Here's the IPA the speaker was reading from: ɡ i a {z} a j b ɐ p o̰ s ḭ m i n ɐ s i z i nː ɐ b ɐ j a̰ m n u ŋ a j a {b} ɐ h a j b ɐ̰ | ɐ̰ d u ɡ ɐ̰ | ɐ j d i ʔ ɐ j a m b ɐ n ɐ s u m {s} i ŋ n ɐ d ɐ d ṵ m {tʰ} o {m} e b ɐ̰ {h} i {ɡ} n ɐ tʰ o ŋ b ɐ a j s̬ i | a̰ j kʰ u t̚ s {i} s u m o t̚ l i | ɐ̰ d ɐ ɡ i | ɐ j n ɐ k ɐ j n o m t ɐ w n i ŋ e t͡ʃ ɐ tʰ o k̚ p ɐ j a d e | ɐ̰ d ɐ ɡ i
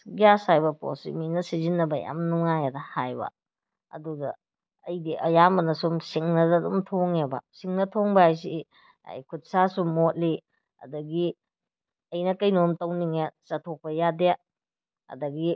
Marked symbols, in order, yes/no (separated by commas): no, no, yes, yes, no, no, no, no